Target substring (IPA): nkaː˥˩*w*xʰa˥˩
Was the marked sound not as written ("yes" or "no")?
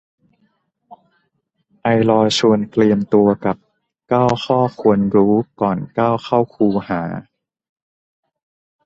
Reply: no